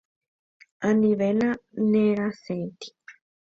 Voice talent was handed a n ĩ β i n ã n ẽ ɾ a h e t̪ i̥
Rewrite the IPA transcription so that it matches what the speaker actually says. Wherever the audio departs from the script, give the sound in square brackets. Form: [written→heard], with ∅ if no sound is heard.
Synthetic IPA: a n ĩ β [i→e] n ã n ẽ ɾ a [h→s] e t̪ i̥

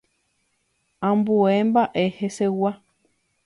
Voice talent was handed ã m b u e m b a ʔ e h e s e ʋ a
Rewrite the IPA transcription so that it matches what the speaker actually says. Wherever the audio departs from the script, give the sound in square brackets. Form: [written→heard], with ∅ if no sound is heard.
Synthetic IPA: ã m b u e m b a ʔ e h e s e [ʋ→w] a

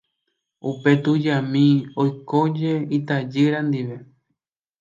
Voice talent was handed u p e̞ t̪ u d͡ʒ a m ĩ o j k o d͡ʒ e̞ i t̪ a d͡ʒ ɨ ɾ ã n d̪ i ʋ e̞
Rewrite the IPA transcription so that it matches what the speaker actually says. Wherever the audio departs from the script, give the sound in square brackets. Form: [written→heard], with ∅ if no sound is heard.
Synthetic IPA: u p e̞ t̪ u d͡ʒ a m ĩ o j k o d͡ʒ e̞ i t̪ a d͡ʒ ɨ ɾ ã n d̪ i ʋ e̞

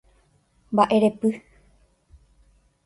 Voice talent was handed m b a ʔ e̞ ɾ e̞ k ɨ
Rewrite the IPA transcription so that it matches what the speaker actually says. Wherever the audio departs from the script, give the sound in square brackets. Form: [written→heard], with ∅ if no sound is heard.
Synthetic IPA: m b a ʔ e̞ ɾ e̞ [k→p] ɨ

